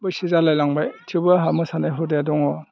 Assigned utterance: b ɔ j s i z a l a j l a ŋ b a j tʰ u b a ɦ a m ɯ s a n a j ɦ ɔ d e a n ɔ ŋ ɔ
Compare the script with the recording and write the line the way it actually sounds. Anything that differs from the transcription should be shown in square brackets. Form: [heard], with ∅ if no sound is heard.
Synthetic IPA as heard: b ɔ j s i z a l a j l a ŋ b a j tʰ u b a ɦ a m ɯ s a n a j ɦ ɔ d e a [d] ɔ ŋ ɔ